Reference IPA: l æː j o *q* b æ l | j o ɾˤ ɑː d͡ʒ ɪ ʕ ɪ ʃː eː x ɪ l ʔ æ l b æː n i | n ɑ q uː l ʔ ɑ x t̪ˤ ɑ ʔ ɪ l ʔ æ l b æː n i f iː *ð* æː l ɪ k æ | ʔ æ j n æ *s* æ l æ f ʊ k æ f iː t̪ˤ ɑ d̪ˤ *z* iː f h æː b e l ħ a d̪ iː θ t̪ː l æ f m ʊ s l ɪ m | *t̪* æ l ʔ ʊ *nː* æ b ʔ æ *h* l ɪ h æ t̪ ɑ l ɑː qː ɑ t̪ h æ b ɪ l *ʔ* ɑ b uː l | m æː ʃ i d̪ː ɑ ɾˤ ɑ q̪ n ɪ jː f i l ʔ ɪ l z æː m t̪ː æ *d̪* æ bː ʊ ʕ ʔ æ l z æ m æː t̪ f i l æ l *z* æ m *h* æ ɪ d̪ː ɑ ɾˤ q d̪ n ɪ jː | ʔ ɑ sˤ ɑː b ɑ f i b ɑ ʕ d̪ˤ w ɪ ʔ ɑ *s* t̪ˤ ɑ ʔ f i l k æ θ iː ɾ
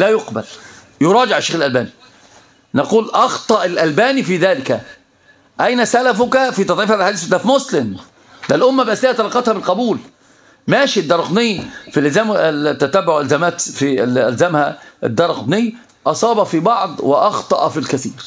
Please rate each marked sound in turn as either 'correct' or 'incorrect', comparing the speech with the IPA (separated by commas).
correct, correct, correct, incorrect, incorrect, incorrect, incorrect, incorrect, incorrect, correct, correct, incorrect